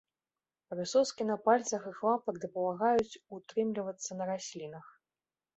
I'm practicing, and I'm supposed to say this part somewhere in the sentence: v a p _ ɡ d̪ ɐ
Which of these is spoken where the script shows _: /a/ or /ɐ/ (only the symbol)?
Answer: ɐ